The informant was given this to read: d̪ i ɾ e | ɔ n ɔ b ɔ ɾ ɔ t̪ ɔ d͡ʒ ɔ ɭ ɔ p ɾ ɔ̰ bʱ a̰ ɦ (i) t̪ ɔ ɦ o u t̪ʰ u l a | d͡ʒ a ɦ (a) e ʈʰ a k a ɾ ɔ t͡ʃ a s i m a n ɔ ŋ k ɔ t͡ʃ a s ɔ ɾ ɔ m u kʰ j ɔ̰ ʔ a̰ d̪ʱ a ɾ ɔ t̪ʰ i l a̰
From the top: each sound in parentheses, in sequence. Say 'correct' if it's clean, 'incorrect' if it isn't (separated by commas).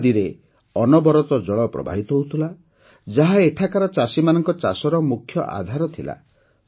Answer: correct, correct